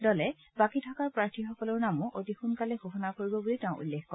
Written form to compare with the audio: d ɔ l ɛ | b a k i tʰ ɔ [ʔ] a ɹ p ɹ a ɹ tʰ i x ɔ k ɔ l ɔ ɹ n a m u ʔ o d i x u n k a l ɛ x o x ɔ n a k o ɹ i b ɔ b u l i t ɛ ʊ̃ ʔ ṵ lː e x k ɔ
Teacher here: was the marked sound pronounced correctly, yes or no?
no